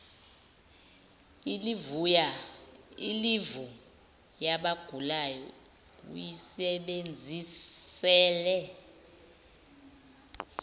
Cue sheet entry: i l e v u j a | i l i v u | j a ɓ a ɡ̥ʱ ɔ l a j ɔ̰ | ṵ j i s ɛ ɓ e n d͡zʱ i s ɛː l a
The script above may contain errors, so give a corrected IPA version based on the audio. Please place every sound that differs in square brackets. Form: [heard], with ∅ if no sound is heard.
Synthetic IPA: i l [i] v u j a | i l i v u | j a ɓ a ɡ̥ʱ [u] l a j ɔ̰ | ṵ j i s ɛ ɓ e n d͡zʱ i s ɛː l [ɛ]